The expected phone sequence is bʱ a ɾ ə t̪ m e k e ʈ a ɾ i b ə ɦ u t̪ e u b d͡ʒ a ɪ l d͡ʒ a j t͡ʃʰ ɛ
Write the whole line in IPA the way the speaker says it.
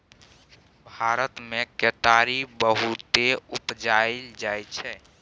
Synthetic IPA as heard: bʱ a ɾ ə t̪ m e k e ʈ a ɾ i b ə ɦ u t̪ e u p d͡ʒ a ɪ l d͡ʒ a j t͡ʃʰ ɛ